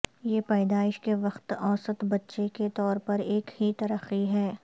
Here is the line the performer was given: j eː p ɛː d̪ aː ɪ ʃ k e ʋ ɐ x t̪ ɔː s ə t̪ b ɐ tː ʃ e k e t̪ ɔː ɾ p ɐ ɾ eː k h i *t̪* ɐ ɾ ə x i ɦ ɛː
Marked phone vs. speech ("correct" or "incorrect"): correct